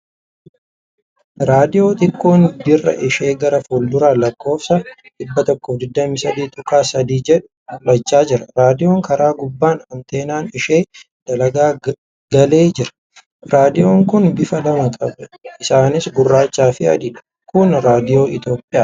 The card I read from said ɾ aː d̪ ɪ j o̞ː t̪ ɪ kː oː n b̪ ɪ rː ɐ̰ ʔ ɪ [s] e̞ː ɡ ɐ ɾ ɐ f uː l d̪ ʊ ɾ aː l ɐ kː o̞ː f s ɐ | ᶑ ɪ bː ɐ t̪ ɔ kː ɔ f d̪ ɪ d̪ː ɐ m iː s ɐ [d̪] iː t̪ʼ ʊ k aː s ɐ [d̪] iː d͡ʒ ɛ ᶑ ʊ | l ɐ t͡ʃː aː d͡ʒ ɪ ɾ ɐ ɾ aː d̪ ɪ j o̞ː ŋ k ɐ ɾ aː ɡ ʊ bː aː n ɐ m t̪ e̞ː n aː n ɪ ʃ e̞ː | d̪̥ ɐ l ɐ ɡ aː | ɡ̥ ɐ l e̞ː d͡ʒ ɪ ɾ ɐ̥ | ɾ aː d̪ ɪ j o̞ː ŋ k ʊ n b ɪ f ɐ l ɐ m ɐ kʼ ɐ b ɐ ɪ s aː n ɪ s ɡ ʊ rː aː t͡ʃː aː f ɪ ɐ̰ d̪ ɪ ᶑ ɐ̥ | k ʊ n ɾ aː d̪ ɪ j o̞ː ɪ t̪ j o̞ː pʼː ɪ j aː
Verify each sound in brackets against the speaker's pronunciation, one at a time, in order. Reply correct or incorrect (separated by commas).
incorrect, correct, correct